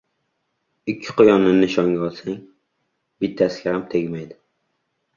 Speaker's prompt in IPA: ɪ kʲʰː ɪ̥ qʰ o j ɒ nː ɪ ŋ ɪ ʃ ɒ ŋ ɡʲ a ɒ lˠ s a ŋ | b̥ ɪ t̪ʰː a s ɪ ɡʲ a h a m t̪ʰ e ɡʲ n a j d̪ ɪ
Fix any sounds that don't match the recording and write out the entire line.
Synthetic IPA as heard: ɪ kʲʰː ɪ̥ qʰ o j ɒ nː ɪ n ɪ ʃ ɒ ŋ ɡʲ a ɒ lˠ s a ŋ | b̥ ɪ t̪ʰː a s ɪ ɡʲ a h a m t̪ʰ e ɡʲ m a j d̪ ɪ